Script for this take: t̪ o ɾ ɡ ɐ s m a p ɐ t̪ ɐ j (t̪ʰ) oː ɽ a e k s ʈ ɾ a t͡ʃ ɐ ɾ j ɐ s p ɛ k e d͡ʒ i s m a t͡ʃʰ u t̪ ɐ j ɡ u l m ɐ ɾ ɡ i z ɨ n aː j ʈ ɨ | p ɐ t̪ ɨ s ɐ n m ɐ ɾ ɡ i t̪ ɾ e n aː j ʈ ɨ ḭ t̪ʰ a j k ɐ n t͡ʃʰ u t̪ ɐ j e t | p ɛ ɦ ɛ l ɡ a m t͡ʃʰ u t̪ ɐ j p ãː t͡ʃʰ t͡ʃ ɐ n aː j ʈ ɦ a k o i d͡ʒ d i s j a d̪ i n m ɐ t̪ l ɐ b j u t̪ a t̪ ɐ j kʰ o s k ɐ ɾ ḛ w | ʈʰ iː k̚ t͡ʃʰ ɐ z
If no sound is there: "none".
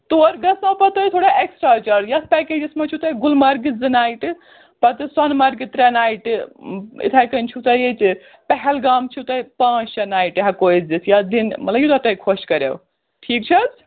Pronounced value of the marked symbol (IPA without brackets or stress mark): t̪ʰ